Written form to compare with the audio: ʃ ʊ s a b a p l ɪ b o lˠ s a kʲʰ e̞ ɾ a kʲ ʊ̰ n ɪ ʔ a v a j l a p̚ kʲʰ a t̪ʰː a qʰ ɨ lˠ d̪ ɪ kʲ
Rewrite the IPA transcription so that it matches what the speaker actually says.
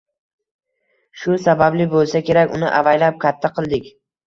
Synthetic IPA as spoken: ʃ ʊ s a b a b l ɪ b o lˠ s a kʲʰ e̞ ɾ a kʲ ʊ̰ n ɪ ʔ a v a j l a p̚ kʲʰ a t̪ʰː a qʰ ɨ lˠ d̪ ɪ kʲ